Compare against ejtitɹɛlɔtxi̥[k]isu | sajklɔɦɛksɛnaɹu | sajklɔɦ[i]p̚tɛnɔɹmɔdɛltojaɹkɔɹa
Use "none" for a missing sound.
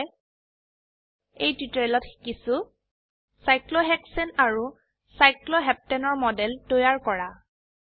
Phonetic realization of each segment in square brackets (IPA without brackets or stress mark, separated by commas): k, ɛ